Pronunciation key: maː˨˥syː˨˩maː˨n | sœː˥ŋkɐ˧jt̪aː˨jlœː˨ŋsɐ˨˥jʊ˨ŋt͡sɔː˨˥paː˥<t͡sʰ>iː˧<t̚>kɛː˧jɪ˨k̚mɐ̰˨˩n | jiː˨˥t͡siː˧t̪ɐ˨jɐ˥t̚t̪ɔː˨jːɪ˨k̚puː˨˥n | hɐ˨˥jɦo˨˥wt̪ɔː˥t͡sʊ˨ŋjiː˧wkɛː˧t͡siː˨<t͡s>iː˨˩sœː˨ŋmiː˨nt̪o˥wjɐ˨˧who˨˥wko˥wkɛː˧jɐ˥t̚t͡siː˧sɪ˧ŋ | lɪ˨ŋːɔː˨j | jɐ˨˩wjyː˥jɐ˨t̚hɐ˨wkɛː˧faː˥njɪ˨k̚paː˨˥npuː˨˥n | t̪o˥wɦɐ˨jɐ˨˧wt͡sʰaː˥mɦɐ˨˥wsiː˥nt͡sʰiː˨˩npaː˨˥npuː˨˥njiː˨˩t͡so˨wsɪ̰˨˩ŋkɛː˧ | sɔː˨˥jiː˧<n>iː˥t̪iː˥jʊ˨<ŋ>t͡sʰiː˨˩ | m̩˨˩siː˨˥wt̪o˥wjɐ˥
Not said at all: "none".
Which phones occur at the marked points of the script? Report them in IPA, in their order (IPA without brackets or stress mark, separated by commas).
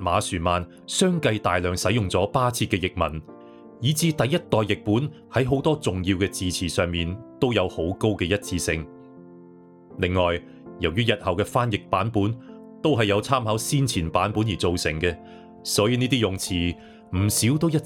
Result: t͡sʰ, t̚, t͡sʰ, n, ŋ